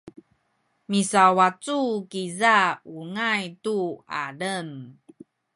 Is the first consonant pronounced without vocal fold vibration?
no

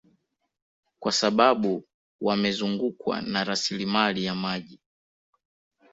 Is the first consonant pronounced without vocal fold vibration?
yes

